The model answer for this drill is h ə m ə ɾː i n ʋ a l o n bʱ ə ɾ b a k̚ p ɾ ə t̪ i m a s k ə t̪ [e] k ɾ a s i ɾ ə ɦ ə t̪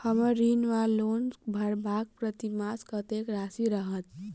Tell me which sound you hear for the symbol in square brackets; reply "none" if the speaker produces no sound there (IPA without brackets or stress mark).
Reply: e